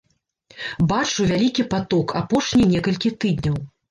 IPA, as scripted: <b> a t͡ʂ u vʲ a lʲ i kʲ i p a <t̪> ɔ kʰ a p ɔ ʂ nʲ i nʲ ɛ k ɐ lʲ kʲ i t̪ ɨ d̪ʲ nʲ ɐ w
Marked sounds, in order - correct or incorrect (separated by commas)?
correct, correct